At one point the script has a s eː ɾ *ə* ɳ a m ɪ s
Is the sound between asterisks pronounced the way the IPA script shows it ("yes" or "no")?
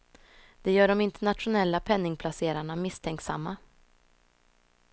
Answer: no